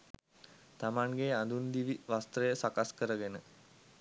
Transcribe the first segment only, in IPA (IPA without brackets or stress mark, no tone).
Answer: t̪